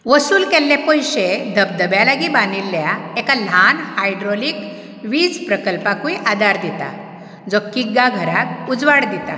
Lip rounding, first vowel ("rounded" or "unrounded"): unrounded